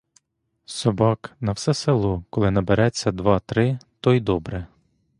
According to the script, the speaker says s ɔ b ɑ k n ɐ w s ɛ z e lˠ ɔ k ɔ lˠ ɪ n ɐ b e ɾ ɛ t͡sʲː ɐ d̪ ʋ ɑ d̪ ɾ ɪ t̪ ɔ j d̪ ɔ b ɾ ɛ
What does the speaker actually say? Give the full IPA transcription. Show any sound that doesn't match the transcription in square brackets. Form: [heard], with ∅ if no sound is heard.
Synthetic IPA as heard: s ɔ b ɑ k n ɐ w s ɛ [s] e lˠ ɔ k ɔ lˠ ɪ n ɐ b e ɾ ɛ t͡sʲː ɐ d̪ ʋ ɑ [t̪] ɾ ɪ t̪ ɔ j d̪ ɔ b ɾ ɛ

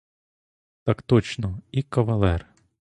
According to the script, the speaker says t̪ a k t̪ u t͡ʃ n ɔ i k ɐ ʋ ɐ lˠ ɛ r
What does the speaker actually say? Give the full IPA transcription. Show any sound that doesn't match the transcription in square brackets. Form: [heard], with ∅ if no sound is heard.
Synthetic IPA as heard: t̪ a k t̪ [ɔ] t͡ʃ n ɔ i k ɐ ʋ ɐ lˠ ɛ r

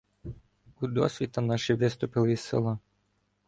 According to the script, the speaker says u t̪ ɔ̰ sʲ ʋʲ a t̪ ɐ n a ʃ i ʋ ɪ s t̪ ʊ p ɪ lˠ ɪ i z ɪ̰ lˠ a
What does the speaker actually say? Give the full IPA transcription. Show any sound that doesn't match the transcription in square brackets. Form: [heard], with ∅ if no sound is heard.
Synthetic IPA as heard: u [d̪] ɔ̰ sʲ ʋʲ [i] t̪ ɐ n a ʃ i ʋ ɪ s t̪ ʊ p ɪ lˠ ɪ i [s] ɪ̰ lˠ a

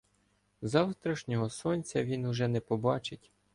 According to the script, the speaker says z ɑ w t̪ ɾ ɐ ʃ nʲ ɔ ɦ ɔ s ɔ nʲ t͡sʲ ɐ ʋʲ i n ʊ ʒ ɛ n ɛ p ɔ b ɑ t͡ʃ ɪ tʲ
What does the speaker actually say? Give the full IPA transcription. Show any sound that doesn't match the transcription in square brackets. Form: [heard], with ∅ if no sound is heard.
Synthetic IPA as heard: z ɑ w t̪ ɾ ɐ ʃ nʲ ɔ ɦ ɔ s ɔ nʲ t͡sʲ ɐ ʋʲ i n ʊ ʒ ɛ n ɛ p ɔ b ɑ t͡ʃ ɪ tʲ

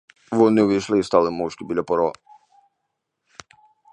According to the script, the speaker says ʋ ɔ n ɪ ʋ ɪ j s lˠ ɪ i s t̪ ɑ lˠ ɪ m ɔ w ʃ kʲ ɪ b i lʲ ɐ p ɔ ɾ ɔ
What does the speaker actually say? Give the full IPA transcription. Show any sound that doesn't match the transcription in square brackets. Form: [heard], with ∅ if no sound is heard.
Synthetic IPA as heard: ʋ ɔ n ɪ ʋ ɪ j [ʃ] lˠ ɪ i s t̪ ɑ lˠ ɪ m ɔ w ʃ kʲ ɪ b i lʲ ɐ p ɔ ɾ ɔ

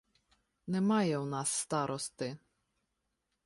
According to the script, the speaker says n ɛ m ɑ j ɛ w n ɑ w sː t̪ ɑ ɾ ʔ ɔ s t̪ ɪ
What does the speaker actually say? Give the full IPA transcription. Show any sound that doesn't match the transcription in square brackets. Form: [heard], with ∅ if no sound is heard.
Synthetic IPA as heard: n ɛ m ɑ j ɛ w n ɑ [∅] sː t̪ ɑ ɾ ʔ ɔ s t̪ ɪ

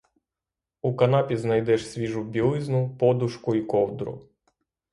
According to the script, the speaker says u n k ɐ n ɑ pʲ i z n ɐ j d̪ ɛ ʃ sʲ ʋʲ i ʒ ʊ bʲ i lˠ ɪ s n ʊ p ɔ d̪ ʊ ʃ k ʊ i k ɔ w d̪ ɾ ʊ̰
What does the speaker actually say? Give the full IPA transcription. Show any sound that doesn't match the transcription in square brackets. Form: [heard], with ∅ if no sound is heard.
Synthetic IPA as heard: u [∅] k ɐ n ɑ pʲ i z n ɐ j d̪ ɛ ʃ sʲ ʋʲ i ʒ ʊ bʲ i lˠ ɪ [z] n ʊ p ɔ d̪ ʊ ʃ k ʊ i k ɔ w d̪ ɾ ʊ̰

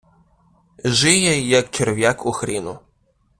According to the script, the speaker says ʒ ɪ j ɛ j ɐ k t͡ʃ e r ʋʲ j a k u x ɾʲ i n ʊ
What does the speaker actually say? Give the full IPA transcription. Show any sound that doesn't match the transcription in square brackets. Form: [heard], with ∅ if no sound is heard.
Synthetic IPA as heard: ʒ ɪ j ɛ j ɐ k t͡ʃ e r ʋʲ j a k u x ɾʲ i n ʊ

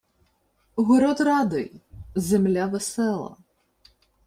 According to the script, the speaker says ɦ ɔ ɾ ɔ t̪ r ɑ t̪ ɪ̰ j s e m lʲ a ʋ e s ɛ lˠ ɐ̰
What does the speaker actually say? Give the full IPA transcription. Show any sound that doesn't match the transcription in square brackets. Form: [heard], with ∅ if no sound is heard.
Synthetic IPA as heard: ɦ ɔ ɾ ɔ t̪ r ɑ [d̪] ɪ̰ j [z] e m lʲ a ʋ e s ɛ lˠ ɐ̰

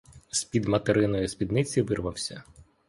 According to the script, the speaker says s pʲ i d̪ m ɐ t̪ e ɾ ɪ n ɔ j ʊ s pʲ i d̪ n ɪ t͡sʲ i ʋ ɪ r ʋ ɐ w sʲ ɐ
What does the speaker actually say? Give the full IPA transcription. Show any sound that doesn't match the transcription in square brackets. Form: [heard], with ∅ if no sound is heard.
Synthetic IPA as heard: s pʲ i d̪ m ɐ t̪ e ɾ ɪ n ɔ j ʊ s pʲ i d̪ n ɪ t͡sʲ i ʋ ɪ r ʋ ɐ w sʲ ɐ

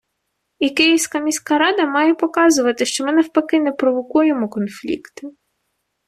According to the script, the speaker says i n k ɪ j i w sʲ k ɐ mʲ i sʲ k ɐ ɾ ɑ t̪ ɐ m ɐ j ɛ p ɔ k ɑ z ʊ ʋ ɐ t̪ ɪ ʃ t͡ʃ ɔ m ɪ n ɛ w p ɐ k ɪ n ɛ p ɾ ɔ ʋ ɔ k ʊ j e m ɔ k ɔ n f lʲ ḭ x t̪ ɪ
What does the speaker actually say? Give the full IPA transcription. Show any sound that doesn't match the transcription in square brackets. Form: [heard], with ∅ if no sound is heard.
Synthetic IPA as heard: i [∅] k ɪ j i w sʲ k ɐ mʲ i sʲ k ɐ ɾ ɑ [d̪] ɐ m [ɑ] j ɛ p ɔ k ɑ z ʊ ʋ ɐ t̪ ɪ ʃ t͡ʃ ɔ m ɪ n ɛ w p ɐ k ɪ n ɛ p ɾ ɔ ʋ ɔ k [u] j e m ɔ k ɔ n f lʲ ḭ [k] t̪ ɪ

